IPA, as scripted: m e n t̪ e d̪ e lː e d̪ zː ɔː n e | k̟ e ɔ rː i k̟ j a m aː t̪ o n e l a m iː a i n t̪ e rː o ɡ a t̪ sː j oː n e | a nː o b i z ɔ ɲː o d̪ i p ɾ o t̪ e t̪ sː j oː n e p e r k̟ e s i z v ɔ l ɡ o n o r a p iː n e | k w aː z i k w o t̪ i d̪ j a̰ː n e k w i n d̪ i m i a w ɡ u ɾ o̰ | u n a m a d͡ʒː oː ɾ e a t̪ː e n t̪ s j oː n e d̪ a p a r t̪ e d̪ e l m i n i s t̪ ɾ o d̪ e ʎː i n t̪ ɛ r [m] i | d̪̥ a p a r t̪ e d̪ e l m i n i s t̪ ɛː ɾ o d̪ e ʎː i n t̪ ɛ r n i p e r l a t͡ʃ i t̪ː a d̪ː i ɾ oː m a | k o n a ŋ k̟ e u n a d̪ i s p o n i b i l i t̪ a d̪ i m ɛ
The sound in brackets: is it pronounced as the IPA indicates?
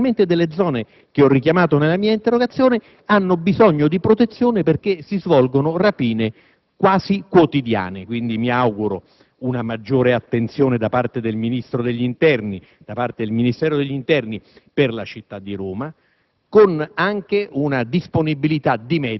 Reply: no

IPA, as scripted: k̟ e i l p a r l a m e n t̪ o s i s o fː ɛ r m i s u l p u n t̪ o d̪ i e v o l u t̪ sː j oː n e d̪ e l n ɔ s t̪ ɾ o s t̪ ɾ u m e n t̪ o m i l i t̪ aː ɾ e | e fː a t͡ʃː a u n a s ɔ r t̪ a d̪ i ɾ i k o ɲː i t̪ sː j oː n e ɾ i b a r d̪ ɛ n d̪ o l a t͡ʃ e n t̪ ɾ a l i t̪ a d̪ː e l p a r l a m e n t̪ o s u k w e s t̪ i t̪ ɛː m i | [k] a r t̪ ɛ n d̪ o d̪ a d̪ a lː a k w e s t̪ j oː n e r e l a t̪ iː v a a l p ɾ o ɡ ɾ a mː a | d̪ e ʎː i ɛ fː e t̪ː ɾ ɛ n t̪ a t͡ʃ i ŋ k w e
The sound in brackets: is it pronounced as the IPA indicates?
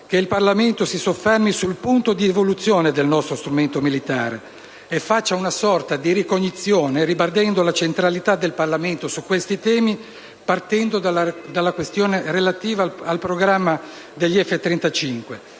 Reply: no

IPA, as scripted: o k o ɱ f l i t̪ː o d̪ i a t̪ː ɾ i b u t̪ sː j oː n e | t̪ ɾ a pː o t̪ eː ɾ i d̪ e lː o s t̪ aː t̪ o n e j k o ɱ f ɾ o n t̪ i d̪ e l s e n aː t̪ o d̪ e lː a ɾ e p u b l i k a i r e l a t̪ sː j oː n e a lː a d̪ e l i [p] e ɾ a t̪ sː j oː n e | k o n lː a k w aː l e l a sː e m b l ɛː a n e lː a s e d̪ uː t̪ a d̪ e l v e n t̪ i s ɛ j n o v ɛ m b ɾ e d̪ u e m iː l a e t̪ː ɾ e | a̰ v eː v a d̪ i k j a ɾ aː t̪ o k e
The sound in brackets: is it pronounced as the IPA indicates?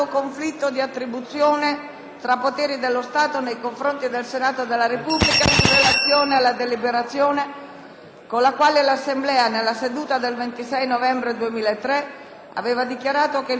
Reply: no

